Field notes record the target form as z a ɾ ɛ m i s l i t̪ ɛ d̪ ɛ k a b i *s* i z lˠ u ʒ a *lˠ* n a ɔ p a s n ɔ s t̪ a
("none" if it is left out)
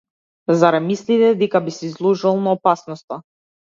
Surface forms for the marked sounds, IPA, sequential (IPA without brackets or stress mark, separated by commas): s, lˠ